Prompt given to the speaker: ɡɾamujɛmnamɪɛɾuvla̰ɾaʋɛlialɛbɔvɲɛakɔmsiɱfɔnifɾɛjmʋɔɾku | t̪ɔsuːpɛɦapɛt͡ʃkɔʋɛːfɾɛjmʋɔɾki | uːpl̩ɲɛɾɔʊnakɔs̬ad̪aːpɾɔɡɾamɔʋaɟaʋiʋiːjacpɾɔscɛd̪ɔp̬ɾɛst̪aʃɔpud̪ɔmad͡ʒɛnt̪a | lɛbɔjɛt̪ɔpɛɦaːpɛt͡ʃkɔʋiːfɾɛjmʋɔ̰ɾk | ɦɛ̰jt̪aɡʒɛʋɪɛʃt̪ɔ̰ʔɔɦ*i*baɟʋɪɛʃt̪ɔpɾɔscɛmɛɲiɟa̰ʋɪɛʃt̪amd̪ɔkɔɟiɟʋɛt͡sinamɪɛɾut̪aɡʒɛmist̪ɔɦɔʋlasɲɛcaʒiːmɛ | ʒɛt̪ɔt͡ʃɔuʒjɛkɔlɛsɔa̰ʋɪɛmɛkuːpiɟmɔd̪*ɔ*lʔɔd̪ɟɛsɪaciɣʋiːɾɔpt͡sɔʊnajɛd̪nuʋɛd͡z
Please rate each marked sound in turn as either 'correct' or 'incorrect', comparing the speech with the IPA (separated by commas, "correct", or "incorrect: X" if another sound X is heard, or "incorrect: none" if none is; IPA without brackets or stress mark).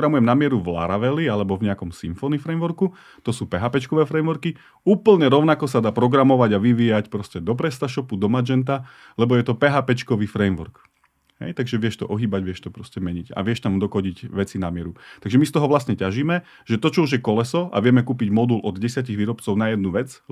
incorrect: iː, incorrect: u